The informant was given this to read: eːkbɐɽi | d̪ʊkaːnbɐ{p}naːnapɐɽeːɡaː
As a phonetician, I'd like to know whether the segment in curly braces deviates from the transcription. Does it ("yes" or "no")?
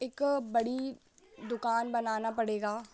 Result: yes